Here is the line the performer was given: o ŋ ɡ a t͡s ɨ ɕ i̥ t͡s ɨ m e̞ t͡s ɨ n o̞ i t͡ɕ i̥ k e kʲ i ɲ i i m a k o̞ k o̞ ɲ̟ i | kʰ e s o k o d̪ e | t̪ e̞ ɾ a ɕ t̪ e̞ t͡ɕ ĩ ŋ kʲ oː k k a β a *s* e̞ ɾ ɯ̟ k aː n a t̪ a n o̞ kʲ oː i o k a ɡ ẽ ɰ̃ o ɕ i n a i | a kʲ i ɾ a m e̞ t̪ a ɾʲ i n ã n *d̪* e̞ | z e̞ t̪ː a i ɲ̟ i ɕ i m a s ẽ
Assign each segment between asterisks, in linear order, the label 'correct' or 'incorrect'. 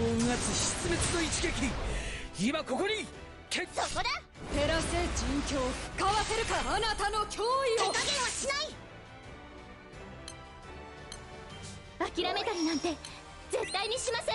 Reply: correct, incorrect

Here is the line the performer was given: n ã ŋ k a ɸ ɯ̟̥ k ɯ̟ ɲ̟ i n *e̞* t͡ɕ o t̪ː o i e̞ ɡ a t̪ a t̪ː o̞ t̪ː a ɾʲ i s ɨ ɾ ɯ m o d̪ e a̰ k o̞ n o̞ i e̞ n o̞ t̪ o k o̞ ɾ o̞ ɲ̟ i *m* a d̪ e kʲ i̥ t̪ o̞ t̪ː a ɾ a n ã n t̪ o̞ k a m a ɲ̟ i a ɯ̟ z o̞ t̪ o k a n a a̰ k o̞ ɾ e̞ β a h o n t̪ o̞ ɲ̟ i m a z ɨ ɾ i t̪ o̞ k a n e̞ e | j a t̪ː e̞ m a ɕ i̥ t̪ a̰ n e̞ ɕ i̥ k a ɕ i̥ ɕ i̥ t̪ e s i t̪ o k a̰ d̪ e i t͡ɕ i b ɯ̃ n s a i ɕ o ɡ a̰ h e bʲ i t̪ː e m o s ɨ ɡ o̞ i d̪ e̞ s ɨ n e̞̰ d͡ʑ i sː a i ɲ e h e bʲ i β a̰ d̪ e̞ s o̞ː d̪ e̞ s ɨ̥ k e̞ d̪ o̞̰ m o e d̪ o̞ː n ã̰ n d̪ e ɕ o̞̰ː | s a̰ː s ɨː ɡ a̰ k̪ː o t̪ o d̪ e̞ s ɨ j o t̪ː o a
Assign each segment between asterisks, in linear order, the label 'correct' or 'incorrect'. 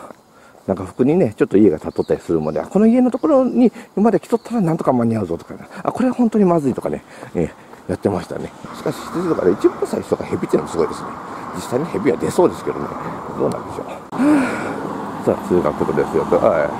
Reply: correct, correct

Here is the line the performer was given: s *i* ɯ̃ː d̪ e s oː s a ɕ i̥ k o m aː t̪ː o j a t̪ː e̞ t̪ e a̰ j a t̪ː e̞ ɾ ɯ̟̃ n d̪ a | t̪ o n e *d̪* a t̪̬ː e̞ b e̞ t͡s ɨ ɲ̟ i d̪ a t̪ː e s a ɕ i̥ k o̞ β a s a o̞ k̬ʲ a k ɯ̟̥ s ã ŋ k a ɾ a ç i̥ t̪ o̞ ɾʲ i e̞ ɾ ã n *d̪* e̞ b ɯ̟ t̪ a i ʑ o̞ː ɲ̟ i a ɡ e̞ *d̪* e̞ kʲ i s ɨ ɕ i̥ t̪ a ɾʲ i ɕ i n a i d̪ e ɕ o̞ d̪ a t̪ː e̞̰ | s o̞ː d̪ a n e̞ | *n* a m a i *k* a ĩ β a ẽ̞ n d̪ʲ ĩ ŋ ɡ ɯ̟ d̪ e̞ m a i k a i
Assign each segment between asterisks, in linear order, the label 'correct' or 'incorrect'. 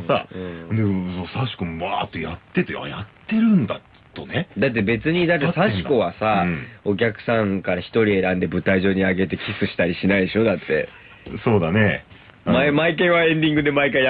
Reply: incorrect, correct, correct, incorrect, incorrect, correct

